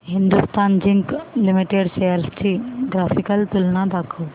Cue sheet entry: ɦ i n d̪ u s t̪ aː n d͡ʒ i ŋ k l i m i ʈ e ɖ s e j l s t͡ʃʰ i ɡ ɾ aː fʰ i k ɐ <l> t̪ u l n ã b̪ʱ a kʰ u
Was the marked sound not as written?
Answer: no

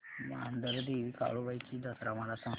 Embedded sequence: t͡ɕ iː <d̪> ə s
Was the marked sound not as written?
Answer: no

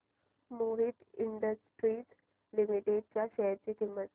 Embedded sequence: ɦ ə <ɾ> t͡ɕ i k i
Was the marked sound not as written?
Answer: no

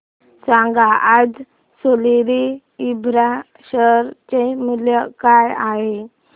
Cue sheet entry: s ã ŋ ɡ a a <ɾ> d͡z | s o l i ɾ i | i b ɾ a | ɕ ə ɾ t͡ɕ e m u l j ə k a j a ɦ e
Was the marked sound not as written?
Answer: yes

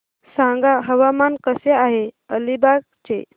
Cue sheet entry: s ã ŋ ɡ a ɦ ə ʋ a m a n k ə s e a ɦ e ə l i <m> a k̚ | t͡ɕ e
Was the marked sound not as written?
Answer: yes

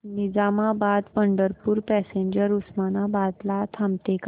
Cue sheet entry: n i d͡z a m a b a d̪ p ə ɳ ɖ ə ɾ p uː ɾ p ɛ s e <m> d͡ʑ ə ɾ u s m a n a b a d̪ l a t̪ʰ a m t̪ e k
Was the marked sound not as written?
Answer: yes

